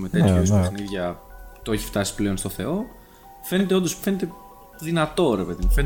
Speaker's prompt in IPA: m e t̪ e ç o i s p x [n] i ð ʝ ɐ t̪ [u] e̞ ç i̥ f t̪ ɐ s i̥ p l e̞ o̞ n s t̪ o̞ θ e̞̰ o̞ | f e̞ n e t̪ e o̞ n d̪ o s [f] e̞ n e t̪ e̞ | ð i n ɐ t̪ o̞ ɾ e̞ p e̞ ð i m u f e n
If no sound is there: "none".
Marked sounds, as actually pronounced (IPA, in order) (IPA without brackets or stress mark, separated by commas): n, o, f